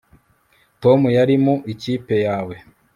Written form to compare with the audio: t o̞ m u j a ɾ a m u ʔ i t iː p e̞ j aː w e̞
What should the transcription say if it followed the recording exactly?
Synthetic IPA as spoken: t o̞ m u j a ɾ i m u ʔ i c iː p e̞ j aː w e̞